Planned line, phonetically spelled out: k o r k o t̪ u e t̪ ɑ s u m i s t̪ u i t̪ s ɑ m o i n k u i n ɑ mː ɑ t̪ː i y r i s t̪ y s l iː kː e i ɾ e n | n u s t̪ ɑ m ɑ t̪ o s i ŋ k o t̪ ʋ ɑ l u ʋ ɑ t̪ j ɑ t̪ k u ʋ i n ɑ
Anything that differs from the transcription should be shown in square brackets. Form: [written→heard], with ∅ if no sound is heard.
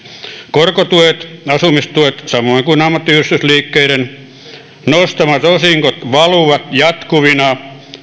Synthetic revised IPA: k o r k o t̪ u e t̪ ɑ s u m i s t̪ u [i→e] t̪ s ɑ m o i [n→ŋ] k u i n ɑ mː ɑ t̪ː i y r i s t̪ y s l iː kː e i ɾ e n | n [u→o] s t̪ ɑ m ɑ t̪ o s i ŋ k o t̪ ʋ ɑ l u ʋ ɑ t̪ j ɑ t̪ k u ʋ i n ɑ

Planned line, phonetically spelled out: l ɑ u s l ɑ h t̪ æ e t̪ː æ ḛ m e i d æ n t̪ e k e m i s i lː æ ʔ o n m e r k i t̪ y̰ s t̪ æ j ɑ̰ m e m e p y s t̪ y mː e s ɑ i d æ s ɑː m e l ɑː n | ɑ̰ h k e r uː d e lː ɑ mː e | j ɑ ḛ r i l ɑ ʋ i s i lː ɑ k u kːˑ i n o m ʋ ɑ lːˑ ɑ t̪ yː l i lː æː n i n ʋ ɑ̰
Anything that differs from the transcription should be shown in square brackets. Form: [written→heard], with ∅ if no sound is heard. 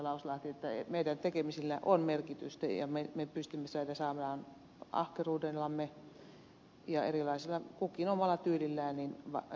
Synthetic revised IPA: l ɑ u s l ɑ h t̪ [æ→i] e t̪ː æ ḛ m e i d æ n t̪ e k e m i s i lː æ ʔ o n m e r k i t̪ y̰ s t̪ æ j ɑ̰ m e m e p y s t̪ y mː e s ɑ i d æ s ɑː m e l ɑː n | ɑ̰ h k e r uː d e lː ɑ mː e | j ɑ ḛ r i l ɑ [ʋ→∅] i s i lː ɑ k u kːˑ i n o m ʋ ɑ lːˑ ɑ t̪ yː l i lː æː n i n ʋ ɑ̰

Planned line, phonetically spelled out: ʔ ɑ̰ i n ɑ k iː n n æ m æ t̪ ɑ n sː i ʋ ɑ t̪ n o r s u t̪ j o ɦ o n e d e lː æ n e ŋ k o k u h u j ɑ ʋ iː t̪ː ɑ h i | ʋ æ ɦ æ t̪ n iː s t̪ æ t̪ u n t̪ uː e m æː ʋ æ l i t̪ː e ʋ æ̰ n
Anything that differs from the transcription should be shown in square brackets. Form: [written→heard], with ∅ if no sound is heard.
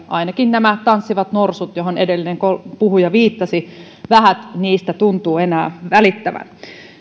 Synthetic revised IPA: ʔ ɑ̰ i n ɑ k [iː→i] n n æ m æ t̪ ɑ n sː i ʋ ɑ t̪ n o r s u t̪ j o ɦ o n e d e lː [æ→i] n e ŋ k o [k→p] u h u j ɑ ʋ iː t̪ː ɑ [h→s] i | ʋ æ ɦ æ t̪ n iː s t̪ æ t̪ u n t̪ uː e [m→n] æː ʋ æ l i t̪ː [e→æ] ʋ æ̰ n

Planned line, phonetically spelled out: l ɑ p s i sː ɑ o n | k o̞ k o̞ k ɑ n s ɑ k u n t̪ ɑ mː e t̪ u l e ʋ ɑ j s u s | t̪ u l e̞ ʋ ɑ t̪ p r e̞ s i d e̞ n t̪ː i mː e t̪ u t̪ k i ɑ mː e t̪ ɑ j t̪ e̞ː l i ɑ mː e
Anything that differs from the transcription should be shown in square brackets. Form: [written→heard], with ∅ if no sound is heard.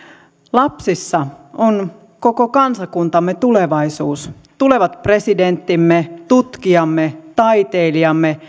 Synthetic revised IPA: l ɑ p s i sː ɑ o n | k o̞ k o̞ k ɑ n s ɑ k u n t̪ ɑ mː e t̪ u l e ʋ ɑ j s [u→uː] s | t̪ u l e̞ ʋ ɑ t̪ p r e̞ s i d e̞ n t̪ː i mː e t̪ u t̪ k i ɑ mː e t̪ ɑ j t̪ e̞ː l i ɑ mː e

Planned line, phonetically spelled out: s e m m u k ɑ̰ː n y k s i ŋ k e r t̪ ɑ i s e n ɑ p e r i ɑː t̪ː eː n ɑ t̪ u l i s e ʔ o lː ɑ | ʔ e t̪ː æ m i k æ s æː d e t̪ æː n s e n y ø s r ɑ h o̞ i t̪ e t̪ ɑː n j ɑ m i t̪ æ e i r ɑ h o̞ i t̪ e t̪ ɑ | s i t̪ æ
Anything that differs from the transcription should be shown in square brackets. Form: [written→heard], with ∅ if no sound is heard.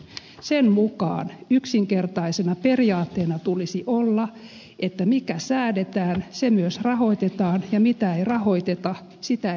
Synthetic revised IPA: s e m m u k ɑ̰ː n y k s i ŋ k e r t̪ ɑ i s e n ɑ p e r i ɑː t̪ː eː n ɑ t̪ u l i s [e→i] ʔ o lː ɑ | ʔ e t̪ː æ m i k æ s æː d e t̪ æː n s e [n→m] y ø s r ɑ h o̞ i t̪ e t̪ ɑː n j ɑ m i t̪ æ e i r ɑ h o̞ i t̪ e t̪ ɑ | s i t̪ æ

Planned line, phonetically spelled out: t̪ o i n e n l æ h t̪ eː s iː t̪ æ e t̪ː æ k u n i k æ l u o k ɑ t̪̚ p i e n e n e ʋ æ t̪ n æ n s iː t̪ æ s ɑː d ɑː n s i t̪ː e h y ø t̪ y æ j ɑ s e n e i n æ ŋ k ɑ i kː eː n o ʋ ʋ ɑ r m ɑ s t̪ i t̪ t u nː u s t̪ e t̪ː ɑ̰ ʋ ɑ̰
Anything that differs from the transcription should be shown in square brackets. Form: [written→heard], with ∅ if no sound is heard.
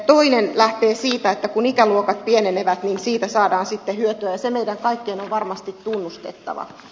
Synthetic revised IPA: t̪ o i n e n l æ h t̪ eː s iː t̪ æ e t̪ː æ k u n i k æ l u o k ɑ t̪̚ p i e n e n e ʋ æ t̪ n [æ→i] n s iː t̪ æ s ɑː d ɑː n s i t̪ː e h y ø t̪ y æ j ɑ s e [n→m] e i [n→d] æ ŋ k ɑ i kː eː n o ʋ ʋ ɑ r m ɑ s t̪ i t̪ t u nː u s t̪ e t̪ː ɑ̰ ʋ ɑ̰

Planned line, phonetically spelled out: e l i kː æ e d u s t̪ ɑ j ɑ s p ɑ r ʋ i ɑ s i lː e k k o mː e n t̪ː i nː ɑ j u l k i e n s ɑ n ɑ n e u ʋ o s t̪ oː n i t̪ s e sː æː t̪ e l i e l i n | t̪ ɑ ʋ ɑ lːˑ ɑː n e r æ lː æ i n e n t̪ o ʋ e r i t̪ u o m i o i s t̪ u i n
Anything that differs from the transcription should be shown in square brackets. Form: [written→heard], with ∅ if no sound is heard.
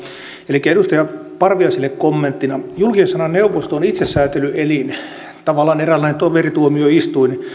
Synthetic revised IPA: e l i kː æ e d u s t̪ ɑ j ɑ [s→∅] p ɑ r ʋ i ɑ s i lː e k k o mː e n t̪ː i [nː→n] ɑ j u l k i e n s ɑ n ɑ n e u ʋ o s t̪ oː n i t̪ s e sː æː t̪ e l [i→y] e l i n | t̪ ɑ ʋ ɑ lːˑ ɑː n e r æ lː æ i n e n t̪ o ʋ e r i t̪ u o m i o i s t̪ u i n

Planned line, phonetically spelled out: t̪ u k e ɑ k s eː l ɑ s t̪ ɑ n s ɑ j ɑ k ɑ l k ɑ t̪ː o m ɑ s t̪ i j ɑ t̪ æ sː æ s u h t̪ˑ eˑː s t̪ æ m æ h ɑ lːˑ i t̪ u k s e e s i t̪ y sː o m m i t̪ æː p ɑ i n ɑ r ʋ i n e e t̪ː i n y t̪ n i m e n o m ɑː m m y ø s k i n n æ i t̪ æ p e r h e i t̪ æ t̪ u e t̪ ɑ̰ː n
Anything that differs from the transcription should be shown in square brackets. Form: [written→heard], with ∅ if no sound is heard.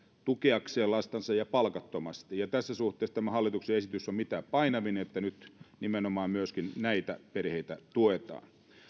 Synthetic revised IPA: t̪ u k e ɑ k s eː l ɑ s t̪ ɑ n s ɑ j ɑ [k→p] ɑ l k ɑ t̪ː o m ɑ s t̪ i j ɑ t̪ æ sː æ s u h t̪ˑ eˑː s t̪ æ m æ h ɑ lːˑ i t̪ u k s e e s i t̪ y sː o m m i t̪ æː p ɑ i n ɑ [r→∅] ʋ i n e e t̪ː [i→æ] n y t̪ n i m e n o m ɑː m m y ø s k i n n æ i t̪ æ p e r h e i t̪ æ t̪ u e t̪ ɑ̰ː n

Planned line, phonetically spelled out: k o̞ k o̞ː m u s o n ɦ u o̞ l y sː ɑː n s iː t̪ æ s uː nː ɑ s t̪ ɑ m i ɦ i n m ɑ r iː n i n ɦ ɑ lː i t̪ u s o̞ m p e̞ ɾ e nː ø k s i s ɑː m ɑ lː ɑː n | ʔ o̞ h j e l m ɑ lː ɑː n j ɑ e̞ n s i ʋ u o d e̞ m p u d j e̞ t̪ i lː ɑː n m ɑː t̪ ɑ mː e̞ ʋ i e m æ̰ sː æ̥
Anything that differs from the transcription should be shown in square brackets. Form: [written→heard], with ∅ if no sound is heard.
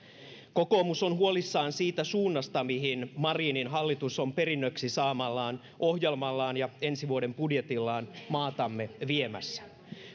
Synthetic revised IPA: k o̞ k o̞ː m u s o n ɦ u o̞ l [y→i] sː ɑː n s iː t̪ æ s uː nː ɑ s t̪ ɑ m i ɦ i n m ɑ r iː n i n ɦ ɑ lː i t̪ u s o̞ m p e̞ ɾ [e→i] nː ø k s i s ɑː m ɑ lː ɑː n | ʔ o̞ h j e l m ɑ lː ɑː n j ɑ e̞ n s i ʋ u o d e̞ m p u d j e̞ t̪ i lː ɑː n m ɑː t̪ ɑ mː e̞ ʋ i e m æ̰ sː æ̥

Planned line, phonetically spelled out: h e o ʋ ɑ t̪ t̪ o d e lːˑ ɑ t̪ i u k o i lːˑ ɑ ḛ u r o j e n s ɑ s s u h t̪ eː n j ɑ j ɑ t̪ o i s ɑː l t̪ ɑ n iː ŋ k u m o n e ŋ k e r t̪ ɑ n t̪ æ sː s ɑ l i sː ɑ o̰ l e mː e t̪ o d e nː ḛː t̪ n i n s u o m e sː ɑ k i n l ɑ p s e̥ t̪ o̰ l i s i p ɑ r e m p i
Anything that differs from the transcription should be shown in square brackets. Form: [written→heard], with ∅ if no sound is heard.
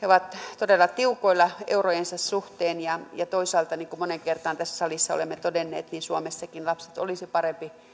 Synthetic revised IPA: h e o ʋ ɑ t̪ t̪ o d e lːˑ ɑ t̪ i u k o i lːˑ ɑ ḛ u r o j e n s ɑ s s u h t̪ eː n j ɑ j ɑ t̪ o i s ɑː l t̪ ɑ n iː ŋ k u m o n e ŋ k e r t̪ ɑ n t̪ æ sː s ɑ l i sː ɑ o̰ l e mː e t̪ o d e nː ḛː t̪ n i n s u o m e sː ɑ k i n l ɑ p s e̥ t̪ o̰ l i s i p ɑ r e m p i

